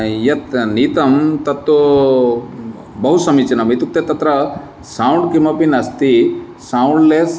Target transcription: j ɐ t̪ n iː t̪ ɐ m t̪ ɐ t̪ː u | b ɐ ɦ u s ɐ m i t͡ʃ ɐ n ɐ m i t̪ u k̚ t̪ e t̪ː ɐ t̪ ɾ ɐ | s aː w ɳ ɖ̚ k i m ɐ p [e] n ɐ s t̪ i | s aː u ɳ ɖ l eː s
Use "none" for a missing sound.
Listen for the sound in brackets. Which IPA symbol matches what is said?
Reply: i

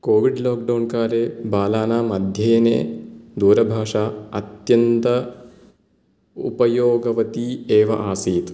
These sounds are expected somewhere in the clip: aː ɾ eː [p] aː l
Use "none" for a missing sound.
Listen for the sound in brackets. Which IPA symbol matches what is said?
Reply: b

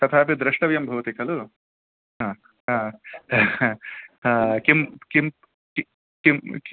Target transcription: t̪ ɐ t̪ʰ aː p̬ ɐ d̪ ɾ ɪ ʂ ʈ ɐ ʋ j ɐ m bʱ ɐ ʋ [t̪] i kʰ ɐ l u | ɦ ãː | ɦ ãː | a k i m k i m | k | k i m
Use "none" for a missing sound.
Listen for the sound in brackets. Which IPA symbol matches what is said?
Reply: t̪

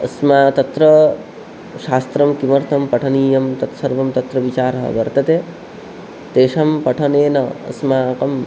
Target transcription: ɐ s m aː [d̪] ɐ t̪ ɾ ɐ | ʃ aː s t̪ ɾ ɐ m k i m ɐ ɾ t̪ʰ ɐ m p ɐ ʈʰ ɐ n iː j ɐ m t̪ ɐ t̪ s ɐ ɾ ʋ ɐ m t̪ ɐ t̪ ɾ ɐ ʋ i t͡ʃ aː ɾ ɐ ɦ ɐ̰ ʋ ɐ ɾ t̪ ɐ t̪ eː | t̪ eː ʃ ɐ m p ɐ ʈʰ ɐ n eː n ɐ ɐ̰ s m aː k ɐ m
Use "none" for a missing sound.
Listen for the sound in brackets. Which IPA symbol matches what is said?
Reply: t̪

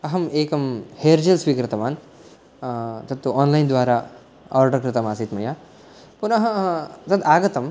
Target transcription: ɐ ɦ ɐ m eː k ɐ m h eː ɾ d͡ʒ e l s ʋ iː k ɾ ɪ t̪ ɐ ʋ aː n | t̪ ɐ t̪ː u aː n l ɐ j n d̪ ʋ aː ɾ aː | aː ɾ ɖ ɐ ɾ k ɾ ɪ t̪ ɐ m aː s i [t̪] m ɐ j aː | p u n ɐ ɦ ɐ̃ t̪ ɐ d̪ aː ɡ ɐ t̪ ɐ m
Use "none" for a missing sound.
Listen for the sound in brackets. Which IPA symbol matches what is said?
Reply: t̪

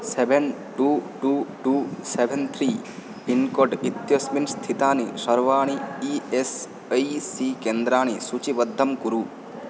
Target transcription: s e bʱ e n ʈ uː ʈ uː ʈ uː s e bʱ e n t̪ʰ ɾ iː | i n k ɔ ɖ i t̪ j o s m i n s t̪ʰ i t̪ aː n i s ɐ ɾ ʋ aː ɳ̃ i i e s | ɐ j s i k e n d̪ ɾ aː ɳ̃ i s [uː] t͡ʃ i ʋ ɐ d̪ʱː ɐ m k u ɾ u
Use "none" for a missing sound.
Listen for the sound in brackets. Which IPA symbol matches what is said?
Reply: u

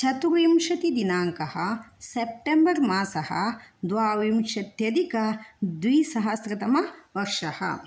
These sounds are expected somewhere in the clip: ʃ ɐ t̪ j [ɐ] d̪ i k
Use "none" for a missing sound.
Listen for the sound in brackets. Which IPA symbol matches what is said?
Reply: ɐ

